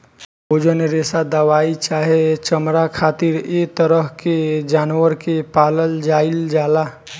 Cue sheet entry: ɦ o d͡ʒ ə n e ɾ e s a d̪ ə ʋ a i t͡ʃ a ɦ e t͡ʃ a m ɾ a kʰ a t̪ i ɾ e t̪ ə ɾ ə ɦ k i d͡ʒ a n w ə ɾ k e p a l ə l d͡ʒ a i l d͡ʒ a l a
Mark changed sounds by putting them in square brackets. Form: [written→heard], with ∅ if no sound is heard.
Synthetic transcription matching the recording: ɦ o d͡ʒ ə n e ɾ e s a d̪ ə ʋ a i t͡ʃ a ɦ e t͡ʃ [a→ə] m ɾ a kʰ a t̪ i ɾ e t̪ ə ɾ ə ɦ k [i→e] d͡ʒ a n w ə ɾ k e p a l ə l d͡ʒ a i l d͡ʒ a l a